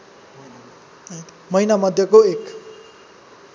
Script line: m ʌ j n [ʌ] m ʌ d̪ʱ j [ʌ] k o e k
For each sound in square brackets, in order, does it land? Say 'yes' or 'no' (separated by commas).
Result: no, yes